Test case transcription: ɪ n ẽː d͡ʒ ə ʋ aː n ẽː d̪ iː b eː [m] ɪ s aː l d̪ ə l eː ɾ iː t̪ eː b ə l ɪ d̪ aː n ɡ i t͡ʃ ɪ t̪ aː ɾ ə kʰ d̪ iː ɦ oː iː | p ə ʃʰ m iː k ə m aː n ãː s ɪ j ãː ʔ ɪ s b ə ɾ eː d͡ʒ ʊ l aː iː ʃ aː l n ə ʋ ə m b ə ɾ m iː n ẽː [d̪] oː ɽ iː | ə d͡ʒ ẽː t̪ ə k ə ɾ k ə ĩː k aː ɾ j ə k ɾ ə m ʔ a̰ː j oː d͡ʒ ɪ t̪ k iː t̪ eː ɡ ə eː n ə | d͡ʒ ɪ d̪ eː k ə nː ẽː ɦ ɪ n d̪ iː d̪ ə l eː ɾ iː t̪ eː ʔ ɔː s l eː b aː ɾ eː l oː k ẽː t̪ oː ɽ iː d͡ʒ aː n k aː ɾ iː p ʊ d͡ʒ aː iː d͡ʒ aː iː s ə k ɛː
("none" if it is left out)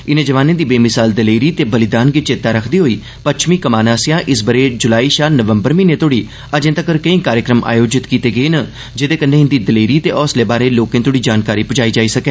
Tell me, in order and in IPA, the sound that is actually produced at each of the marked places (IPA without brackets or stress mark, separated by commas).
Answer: m, t̪